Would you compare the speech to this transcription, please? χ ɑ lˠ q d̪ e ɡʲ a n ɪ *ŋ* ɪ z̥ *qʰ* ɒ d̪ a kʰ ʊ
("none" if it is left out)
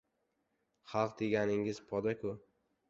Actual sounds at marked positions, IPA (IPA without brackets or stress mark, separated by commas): ŋ, pʰ